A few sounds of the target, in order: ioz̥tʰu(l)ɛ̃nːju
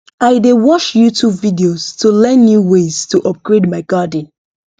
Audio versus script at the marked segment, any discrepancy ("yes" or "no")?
no